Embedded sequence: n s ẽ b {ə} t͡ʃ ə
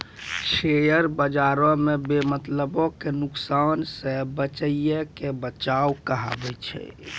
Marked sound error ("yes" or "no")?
no